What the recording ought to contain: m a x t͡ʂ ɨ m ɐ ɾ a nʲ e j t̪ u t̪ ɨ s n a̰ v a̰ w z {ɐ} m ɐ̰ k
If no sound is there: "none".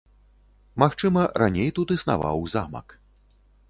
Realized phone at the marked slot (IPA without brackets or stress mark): a